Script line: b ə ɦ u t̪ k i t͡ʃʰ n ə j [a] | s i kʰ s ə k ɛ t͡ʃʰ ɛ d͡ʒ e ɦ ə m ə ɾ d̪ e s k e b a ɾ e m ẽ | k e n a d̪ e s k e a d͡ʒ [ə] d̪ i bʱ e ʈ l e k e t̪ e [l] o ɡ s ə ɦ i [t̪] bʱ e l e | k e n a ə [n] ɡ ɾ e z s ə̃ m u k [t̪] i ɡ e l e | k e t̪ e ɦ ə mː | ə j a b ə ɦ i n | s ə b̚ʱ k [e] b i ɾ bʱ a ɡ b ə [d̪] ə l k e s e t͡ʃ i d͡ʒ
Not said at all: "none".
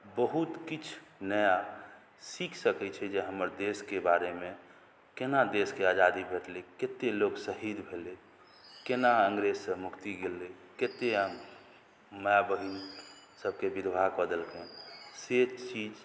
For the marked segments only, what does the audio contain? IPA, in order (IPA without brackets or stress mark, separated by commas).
a, a, l, d̪, ŋ, t̪, e, d̪